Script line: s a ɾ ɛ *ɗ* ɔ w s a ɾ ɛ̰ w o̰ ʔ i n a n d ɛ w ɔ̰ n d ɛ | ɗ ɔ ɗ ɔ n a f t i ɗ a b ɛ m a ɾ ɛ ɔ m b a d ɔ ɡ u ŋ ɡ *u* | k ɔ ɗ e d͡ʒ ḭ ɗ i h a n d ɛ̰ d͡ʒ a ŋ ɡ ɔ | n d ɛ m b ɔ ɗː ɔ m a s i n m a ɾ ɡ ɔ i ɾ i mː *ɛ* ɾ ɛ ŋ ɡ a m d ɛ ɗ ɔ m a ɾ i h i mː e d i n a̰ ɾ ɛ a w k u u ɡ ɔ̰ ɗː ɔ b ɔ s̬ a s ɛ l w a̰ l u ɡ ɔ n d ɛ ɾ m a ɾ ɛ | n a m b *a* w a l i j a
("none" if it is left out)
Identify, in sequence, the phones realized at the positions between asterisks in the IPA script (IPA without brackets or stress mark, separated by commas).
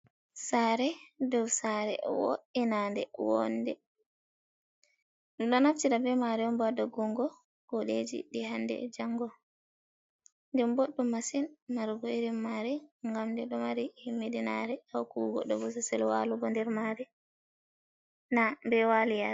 d, ɔ, a, ɛ